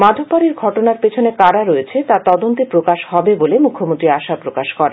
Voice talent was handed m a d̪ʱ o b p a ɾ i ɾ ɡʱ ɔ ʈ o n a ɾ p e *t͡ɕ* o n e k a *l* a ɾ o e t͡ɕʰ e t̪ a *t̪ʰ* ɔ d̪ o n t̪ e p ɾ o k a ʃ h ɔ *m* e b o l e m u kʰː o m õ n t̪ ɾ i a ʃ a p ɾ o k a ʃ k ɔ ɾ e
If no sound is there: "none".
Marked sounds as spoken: t͡ɕʰ, ɾ, t̪, b

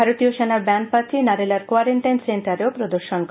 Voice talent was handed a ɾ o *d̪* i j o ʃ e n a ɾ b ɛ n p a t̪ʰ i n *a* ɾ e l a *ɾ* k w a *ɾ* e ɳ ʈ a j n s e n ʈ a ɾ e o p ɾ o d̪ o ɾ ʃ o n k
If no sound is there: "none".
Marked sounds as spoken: t̪, a, ɾ, ɾ

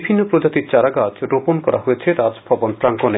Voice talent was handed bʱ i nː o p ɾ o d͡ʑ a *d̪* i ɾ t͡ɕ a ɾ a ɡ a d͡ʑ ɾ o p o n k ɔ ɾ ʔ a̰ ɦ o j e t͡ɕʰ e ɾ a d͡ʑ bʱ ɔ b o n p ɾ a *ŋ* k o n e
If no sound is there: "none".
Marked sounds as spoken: t̪, ŋ

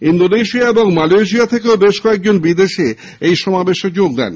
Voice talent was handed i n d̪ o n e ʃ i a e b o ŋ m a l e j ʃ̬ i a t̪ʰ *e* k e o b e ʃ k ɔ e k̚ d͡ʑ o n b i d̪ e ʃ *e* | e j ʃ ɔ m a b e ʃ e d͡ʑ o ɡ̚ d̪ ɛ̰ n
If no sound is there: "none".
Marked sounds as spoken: e, e

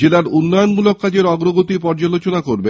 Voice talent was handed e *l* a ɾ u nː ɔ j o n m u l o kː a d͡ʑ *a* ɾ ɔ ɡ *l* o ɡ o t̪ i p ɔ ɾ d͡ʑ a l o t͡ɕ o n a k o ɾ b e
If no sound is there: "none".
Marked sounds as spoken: l, e, ɾ

